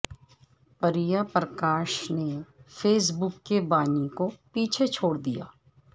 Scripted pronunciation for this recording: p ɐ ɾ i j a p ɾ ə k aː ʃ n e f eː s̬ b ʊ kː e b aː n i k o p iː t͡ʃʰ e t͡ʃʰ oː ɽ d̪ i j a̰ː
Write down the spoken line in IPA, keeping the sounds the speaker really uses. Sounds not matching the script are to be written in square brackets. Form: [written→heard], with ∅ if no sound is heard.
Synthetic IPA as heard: p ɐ ɾ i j a p ɾ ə k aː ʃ n e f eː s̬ b ʊ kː e b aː n i k o p iː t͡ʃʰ e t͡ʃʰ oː ɽ d̪ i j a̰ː